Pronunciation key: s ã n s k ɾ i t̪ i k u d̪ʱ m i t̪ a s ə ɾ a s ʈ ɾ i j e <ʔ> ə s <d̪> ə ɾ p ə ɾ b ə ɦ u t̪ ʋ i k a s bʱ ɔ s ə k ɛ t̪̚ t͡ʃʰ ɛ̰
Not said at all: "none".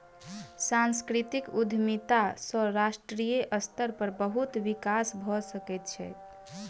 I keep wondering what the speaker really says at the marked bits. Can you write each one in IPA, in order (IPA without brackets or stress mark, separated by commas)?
ʔ, t̪